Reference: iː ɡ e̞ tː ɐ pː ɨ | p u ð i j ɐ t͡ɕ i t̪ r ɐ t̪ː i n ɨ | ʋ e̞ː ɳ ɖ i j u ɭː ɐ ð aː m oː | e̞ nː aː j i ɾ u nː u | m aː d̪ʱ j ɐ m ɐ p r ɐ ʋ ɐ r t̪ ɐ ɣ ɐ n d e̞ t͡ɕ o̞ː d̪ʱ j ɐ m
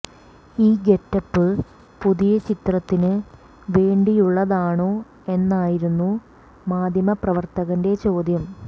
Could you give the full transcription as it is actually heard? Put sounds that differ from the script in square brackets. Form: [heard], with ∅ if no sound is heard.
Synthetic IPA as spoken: iː ɡ e̞ tː ɐ pː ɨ | p u ð i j ɐ t͡ɕ i t̪ r ɐ t̪ː i n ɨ | ʋ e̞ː ɳ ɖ i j u ɭː ɐ ð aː [ɳ] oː | e̞ nː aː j i ɾ u nː u | m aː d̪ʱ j ɐ m ɐ p r ɐ ʋ ɐ r t̪ ɐ ɣ ɐ n d e̞ t͡ɕ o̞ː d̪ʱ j ɐ m